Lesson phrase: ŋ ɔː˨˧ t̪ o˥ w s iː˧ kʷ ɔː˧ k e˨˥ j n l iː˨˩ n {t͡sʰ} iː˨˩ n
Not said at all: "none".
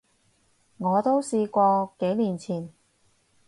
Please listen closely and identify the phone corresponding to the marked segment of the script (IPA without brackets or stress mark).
t͡sʰ